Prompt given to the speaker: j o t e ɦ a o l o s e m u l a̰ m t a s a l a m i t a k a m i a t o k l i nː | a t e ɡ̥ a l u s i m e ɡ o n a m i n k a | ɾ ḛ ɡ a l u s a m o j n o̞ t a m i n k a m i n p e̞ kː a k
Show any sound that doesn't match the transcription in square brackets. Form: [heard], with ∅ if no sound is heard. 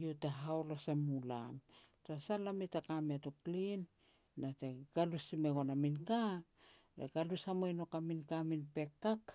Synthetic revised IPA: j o t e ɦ a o l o s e m u l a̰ m t a s a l a m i t a k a m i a t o k l i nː | a t e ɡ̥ a l u s i m e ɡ o n a m i n k a | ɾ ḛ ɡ a l u s a m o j n o̞ [k] a m i n k a m i n p e̞ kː a k